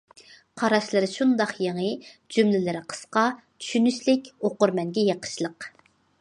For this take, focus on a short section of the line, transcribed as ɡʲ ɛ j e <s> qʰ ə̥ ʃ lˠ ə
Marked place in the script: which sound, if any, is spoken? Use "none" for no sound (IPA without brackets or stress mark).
none